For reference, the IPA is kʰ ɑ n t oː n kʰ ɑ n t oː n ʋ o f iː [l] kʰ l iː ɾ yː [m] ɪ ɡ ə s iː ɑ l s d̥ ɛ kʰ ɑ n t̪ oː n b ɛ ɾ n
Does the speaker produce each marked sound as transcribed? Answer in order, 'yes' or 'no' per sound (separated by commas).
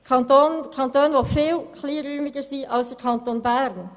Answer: yes, yes